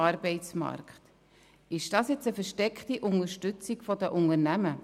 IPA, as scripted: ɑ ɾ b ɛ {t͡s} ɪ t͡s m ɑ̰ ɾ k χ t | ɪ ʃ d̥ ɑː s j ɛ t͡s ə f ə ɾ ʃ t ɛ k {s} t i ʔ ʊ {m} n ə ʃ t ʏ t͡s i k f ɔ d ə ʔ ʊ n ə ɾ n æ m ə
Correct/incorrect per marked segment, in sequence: incorrect: none, incorrect: χ, incorrect: none

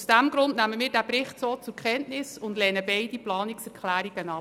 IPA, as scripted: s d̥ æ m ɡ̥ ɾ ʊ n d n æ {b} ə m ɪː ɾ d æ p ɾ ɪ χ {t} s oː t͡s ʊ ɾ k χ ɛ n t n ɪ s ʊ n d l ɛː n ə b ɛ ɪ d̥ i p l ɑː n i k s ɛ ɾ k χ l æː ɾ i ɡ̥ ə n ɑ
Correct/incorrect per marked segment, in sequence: incorrect: m, correct

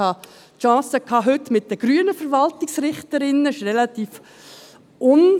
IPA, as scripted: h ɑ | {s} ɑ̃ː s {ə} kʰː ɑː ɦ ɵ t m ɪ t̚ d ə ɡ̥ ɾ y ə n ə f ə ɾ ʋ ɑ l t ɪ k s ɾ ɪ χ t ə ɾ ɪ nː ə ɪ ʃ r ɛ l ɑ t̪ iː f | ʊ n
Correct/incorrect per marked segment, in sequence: incorrect: ʃ, correct

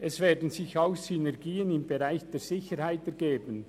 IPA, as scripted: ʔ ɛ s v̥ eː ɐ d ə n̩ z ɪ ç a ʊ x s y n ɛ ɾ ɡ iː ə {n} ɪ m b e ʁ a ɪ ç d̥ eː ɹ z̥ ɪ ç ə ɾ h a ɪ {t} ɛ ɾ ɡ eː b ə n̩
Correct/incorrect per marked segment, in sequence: correct, correct

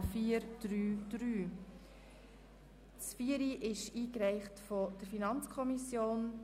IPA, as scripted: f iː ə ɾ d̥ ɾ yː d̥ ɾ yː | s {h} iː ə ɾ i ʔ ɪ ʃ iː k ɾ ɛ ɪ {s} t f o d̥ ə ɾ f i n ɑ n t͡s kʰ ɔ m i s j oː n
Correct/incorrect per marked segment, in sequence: incorrect: f, incorrect: χ

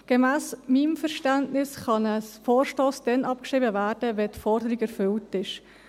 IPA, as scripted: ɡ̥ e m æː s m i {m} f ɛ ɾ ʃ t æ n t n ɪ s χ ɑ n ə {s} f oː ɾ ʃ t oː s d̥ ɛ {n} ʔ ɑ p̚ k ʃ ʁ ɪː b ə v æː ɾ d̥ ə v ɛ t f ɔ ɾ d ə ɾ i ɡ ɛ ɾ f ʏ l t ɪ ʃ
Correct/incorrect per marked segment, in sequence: correct, correct, correct

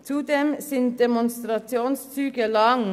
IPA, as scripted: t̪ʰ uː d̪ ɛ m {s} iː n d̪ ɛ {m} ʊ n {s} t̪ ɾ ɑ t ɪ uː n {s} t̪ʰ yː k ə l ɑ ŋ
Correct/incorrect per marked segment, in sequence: correct, correct, correct, correct

